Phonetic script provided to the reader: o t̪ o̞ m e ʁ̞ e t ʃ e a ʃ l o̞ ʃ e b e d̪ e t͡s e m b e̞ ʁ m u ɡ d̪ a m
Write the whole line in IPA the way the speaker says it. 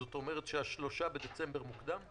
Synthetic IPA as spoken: o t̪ o̞ m e ʁ̞ e t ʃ e a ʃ l o̞ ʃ a b e d̪ e t͡s e m b e̞ ʁ m u k d̪ a m